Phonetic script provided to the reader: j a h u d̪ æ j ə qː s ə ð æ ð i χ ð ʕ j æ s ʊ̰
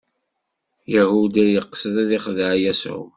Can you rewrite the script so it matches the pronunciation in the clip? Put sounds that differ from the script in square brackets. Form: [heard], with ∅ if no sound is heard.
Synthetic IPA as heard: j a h u d̪ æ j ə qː s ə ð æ ð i χ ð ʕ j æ s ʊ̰